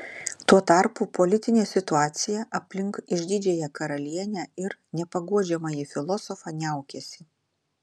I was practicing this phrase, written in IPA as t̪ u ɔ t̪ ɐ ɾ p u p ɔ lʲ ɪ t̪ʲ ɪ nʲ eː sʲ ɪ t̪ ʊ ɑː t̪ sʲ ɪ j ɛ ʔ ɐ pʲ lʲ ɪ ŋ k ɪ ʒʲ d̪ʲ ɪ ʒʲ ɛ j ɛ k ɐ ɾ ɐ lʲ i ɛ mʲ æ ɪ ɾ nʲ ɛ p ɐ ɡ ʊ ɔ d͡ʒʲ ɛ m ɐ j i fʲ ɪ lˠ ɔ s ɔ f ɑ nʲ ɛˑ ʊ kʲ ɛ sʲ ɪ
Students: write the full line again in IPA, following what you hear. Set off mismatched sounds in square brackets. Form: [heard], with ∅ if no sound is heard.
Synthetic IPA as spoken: t̪ u ɔ t̪ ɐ ɾ p u p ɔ lʲ ɪ t̪ʲ ɪ nʲ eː sʲ ɪ t̪ ʊ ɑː t̪ sʲ ɪ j ɛ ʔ ɐ pʲ lʲ ɪ ŋ k ɪ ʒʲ d̪ʲ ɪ [d͡ʒʲ] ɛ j ɛ k ɐ ɾ ɐ lʲ i ɛ [nʲ] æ ɪ ɾ nʲ ɛ p ɐ ɡ [u] ɔ d͡ʒʲ ɛ m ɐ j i fʲ ɪ lˠ ɔ s ɔ f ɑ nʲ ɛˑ ʊ kʲ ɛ sʲ ɪ